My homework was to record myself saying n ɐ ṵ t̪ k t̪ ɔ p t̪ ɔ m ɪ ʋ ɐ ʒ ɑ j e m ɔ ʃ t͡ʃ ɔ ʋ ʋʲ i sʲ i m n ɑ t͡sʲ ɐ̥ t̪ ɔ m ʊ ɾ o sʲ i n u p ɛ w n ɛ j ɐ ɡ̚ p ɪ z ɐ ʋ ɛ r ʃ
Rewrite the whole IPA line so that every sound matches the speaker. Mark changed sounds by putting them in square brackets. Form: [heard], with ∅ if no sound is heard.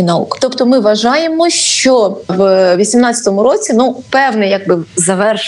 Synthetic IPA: n ɐ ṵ [∅] k t̪ ɔ p t̪ ɔ m ɪ ʋ ɐ ʒ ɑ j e m ɔ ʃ t͡ʃ ɔ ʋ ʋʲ i sʲ i m n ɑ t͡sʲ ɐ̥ t̪ ɔ m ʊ ɾ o [t͡sʲ] i n u p ɛ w n ɛ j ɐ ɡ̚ [b] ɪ z ɐ ʋ ɛ r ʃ